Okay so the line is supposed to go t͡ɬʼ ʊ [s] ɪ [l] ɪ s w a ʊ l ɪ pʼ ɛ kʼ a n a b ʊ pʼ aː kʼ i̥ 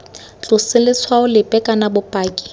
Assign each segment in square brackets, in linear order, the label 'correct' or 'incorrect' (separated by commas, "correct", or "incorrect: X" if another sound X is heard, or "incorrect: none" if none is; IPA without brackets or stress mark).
correct, correct